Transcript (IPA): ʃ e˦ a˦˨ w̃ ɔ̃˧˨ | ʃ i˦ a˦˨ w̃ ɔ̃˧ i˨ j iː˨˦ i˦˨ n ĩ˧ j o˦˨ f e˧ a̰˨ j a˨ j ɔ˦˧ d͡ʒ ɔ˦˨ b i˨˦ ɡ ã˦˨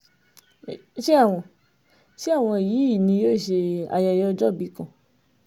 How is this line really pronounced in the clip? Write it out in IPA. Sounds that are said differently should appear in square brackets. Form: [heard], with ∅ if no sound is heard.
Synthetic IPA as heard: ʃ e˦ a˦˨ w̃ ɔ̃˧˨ | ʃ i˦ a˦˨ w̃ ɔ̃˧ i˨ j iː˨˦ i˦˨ n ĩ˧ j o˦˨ [ʃ] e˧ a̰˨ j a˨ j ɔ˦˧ d͡ʒ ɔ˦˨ b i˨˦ [k] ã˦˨